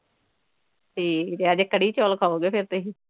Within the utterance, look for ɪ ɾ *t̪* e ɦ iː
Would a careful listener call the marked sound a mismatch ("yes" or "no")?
no